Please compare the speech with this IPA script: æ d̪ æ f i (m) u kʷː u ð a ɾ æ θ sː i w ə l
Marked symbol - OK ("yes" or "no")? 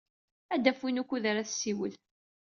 no